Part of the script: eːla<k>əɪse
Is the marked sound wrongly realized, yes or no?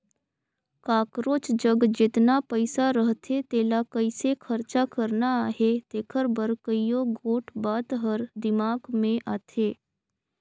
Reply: no